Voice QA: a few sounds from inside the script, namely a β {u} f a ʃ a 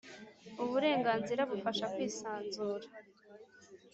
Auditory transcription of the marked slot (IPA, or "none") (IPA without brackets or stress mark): u